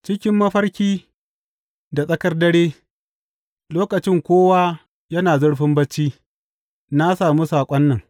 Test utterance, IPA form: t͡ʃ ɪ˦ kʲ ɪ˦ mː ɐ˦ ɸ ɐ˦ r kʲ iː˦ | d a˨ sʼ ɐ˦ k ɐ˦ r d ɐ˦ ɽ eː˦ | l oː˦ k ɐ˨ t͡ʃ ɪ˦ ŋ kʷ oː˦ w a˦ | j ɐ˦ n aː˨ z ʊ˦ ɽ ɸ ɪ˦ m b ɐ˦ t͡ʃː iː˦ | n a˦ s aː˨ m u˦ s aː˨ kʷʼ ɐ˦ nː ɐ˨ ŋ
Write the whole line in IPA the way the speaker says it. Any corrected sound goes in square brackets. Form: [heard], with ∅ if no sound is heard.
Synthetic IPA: t͡ʃ ɪ˦ kʲ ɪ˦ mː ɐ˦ ɸ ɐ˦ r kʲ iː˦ | d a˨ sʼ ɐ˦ k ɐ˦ r d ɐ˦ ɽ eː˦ | l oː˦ k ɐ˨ t͡ʃ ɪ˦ ŋ kʷ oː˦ w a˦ | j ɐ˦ n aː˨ z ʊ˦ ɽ ɸ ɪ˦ m b ɐ˦ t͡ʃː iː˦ | n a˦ s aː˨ m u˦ s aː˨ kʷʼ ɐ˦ nː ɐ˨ ŋ